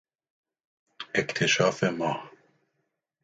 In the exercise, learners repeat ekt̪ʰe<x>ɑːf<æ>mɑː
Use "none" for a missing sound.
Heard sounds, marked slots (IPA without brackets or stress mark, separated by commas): ʃ, e